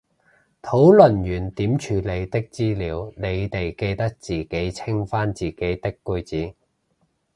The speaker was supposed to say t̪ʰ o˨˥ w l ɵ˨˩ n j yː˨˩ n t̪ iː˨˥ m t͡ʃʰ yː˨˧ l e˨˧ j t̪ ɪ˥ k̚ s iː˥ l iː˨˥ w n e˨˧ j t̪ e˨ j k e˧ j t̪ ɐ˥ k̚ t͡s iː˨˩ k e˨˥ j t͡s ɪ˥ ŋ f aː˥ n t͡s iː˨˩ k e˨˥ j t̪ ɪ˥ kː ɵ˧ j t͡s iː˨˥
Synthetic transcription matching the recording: t̪ʰ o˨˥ w l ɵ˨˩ n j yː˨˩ n t̪ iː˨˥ m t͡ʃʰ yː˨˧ l e˨˧ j t̪ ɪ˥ k̚ t͡s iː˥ l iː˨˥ w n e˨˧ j t̪ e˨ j k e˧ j t̪ ɐ˥ k̚ t͡s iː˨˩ k e˨˥ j t͡sʰ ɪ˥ ŋ f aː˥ n t͡s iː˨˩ k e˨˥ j t̪ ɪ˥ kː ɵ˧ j t͡s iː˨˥